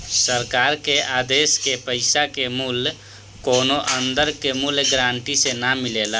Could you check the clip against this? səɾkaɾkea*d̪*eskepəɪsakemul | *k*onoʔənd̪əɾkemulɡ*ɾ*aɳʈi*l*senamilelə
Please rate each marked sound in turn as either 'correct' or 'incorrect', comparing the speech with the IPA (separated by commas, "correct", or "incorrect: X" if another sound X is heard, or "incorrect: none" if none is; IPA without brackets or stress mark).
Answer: correct, correct, correct, incorrect: none